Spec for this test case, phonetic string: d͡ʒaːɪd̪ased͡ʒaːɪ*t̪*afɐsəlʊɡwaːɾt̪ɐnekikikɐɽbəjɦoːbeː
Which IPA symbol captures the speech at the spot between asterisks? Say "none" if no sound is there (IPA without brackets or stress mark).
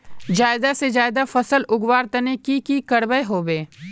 d̪